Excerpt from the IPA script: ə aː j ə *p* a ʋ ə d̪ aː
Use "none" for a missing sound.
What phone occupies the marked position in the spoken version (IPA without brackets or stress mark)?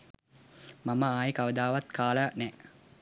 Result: k